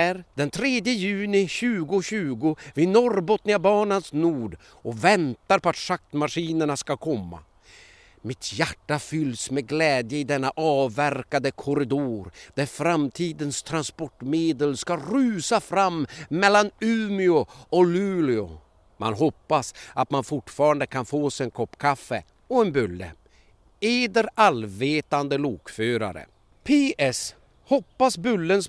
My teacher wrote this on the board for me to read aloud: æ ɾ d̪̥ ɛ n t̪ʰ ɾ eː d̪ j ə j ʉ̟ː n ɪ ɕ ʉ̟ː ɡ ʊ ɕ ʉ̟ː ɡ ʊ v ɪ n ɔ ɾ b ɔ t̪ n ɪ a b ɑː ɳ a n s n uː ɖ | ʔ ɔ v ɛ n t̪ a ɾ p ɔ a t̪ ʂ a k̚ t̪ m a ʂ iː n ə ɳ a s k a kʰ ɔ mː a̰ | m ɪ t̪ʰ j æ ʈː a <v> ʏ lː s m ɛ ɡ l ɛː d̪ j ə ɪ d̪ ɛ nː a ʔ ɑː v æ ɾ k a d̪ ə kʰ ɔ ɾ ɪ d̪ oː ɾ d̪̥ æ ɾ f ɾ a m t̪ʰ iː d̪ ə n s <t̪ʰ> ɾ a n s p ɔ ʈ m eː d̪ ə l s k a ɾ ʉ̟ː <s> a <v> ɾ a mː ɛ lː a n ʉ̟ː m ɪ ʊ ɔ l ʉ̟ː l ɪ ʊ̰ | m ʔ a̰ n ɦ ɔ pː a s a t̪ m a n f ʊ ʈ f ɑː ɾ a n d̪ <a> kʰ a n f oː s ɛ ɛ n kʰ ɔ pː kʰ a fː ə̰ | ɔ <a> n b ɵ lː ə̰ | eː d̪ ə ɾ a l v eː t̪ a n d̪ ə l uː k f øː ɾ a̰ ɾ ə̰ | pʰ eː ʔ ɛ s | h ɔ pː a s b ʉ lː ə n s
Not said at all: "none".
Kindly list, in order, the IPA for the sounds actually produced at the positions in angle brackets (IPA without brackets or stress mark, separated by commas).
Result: f, t̪ʰ, s, f, ə, ɛ